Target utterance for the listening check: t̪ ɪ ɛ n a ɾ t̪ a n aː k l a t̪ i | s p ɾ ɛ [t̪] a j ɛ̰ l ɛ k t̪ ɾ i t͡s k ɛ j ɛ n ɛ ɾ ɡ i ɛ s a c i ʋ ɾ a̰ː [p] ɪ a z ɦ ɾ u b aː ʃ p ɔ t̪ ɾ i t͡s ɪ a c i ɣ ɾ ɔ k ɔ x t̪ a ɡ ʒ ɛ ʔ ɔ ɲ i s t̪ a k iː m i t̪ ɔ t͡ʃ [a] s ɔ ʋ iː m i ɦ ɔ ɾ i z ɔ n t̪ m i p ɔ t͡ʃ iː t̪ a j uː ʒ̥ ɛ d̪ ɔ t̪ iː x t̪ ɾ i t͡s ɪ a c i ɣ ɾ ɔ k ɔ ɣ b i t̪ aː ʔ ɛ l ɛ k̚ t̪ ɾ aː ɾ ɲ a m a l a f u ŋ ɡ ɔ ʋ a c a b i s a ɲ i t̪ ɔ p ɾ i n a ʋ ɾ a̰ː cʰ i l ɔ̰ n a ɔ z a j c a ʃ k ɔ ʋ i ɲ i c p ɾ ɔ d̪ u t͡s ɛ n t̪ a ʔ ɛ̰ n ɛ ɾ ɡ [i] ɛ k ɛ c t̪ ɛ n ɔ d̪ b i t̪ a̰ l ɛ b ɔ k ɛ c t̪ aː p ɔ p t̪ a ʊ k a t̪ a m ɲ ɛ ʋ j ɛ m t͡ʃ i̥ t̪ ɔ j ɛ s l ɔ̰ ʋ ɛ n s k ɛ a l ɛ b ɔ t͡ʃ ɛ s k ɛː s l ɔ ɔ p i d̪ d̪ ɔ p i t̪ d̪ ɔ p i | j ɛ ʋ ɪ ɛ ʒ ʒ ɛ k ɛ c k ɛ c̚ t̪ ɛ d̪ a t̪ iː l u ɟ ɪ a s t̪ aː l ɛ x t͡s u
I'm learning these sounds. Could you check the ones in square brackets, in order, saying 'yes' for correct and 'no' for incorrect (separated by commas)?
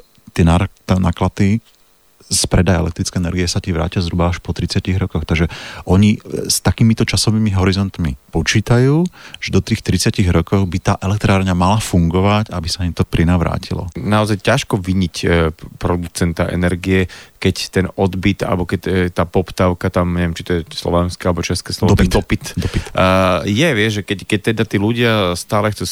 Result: no, no, yes, yes